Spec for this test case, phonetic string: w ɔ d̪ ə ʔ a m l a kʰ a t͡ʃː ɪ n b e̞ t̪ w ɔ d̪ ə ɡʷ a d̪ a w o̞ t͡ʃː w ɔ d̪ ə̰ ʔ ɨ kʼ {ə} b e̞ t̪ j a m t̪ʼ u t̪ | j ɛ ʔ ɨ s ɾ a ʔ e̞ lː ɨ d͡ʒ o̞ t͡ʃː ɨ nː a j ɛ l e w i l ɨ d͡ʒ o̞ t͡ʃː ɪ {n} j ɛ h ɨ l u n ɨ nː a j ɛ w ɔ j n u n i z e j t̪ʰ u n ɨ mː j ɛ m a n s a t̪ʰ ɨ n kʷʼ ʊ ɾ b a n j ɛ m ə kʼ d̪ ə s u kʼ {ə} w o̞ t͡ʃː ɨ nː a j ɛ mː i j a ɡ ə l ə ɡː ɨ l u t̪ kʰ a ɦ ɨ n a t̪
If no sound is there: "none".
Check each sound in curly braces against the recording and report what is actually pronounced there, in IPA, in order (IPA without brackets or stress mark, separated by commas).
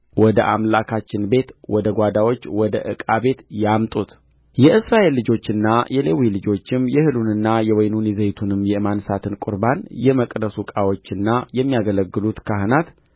a, m, a